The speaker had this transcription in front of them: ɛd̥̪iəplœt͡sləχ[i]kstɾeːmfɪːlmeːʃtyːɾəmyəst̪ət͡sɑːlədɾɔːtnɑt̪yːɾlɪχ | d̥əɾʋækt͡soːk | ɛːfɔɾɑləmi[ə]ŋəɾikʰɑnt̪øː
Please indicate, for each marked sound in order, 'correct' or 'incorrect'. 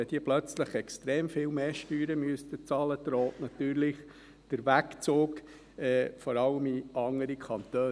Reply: incorrect: ɛ, incorrect: ɑ

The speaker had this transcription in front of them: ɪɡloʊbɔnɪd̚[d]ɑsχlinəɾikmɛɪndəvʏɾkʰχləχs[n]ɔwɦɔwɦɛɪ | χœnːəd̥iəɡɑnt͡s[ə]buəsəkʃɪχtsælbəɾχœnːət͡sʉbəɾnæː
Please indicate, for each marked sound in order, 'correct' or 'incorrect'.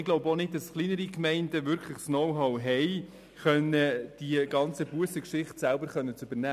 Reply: correct, correct, correct

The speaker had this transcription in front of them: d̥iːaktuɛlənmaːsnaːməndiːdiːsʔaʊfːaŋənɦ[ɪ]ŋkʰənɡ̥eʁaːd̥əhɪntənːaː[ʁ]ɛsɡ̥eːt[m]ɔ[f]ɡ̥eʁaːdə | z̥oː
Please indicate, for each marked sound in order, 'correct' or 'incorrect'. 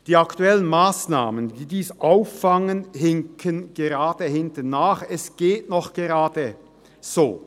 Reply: correct, incorrect: χ, incorrect: n, incorrect: χ

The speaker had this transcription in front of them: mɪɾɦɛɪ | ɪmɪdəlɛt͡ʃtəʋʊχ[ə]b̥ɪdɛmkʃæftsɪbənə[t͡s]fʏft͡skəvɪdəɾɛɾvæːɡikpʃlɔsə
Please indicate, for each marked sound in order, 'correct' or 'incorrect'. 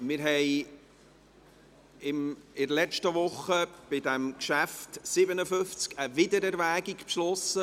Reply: correct, incorrect: none

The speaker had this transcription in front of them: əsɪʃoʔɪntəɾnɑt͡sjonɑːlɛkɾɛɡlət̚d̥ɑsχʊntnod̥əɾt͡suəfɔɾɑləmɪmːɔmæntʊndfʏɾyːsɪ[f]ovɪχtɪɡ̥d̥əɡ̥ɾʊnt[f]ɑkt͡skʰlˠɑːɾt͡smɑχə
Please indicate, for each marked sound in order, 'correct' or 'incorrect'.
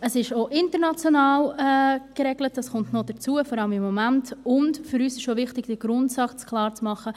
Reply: incorrect: ʃ, incorrect: s

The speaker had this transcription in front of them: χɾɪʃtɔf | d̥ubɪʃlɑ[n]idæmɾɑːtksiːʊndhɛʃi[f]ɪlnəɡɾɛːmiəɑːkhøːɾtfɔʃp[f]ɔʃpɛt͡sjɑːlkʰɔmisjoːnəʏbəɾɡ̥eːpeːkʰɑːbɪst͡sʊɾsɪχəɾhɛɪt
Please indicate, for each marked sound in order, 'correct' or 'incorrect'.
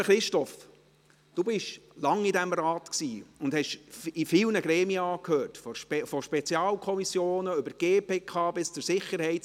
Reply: incorrect: ŋ, correct, correct

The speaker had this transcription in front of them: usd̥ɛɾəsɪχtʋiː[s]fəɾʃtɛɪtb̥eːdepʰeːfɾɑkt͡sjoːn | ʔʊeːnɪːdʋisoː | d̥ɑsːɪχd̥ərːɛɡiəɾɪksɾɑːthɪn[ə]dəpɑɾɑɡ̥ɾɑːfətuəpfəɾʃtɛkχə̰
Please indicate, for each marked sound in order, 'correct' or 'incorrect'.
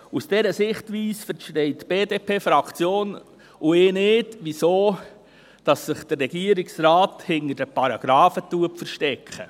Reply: correct, correct

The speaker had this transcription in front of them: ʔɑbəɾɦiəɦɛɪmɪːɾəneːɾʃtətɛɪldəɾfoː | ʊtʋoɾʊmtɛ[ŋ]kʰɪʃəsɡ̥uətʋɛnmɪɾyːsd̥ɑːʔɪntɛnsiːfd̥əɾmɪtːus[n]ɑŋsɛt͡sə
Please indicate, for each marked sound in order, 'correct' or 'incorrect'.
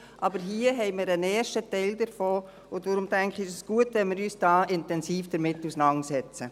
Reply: correct, correct

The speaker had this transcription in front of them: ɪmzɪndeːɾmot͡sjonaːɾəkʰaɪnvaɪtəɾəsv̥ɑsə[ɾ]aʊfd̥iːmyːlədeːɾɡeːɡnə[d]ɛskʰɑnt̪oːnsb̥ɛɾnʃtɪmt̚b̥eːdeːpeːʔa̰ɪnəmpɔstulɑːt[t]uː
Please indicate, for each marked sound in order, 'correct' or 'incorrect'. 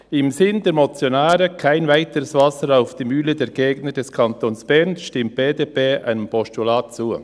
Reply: correct, correct, incorrect: t͡s

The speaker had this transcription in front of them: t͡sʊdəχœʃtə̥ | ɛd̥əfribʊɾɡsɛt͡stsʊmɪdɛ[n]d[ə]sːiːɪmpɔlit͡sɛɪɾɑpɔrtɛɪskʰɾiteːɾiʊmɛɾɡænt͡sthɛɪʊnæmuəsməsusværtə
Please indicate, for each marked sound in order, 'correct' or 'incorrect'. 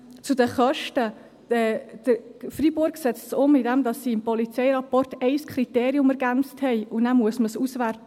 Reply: incorrect: m, incorrect: ɑ

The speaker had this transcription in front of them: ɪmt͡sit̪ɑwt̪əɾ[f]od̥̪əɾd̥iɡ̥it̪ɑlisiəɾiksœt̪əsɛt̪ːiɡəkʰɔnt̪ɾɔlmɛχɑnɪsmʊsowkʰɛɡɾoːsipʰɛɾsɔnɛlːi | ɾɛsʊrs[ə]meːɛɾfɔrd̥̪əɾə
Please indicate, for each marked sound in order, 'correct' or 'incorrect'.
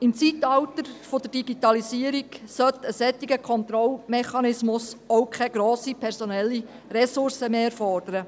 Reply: correct, correct

